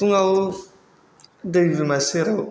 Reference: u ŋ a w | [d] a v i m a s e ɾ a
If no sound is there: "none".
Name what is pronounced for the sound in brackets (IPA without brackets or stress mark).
d